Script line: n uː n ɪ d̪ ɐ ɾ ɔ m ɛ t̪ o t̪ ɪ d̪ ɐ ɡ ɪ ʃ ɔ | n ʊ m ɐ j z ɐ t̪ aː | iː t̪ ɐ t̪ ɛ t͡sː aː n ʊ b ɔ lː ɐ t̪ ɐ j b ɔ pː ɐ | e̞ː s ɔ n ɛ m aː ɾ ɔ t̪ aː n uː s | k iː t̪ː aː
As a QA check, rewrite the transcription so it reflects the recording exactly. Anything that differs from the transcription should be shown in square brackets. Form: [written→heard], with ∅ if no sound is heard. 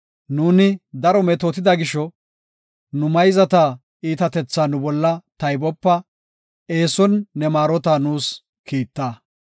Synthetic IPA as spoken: n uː n ɪ d̪ ɐ ɾ ɔ m ɛ t̪ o t̪ ɪ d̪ ɐ ɡ ɪ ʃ ɔ | n ʊ m ɐ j z ɐ t̪ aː | iː t̪ ɐ t̪ ɛ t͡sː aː n ʊ b ɔ lː ɐ t̪ ɐ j b ɔ pː ɐ | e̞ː s ɔ [n→nː] ɛ m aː ɾ ɔ t̪ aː n uː s | k iː t̪ː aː